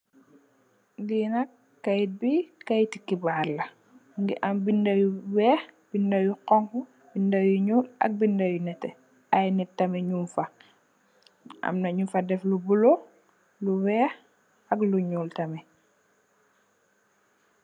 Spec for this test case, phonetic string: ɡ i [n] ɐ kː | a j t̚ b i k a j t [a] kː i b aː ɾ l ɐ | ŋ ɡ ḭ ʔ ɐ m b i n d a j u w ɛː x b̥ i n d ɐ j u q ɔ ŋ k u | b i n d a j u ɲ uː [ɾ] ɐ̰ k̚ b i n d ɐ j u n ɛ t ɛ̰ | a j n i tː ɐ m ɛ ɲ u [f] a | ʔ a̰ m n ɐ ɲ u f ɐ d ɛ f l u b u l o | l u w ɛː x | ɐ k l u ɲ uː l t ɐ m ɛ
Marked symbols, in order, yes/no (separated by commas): yes, no, no, yes